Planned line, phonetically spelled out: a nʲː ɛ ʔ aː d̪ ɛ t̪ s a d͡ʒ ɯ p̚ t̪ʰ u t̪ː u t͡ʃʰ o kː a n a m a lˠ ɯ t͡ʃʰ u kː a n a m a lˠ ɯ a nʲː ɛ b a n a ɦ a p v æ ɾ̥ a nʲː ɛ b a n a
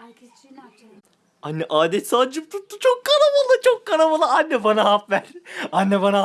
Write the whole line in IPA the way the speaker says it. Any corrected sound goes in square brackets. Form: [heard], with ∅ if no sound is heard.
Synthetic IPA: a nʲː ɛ ʔ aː d̪ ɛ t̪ s a d͡ʒ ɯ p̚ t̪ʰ u t̪ː u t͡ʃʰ o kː a n a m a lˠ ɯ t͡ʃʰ [o] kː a n a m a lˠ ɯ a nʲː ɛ b a n a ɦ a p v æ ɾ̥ a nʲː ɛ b a n a